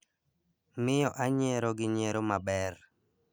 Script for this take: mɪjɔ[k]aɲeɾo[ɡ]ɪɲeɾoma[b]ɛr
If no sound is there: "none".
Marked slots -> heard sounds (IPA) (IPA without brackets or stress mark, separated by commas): ʔ, ɡ, b